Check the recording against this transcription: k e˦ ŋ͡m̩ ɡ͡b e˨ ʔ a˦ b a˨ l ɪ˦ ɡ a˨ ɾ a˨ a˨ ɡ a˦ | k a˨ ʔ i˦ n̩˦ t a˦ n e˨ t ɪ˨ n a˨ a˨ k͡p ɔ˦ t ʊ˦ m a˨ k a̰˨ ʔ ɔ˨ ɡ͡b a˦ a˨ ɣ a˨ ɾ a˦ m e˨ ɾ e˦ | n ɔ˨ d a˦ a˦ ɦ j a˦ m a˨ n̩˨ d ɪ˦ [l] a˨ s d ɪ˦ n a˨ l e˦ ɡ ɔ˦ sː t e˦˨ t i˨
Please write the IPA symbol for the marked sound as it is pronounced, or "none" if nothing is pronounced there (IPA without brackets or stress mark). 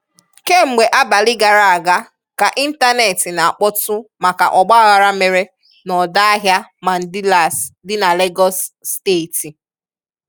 l